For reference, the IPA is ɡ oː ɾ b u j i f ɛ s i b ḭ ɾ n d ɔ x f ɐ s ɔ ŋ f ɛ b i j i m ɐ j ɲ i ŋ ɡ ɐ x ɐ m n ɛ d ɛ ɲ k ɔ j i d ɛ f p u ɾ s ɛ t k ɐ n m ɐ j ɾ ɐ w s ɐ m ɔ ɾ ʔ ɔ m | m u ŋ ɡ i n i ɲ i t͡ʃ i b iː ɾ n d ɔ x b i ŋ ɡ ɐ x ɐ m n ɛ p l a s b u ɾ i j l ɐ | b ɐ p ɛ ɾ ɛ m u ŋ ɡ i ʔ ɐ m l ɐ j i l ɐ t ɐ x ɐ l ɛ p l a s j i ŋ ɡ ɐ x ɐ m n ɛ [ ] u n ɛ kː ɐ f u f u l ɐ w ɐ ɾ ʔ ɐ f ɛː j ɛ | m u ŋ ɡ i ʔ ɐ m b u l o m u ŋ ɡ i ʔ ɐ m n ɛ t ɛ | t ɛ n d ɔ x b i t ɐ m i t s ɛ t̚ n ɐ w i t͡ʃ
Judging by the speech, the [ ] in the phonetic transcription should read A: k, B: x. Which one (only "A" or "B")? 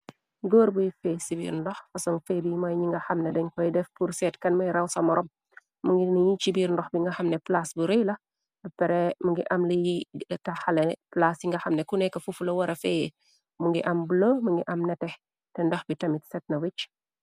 A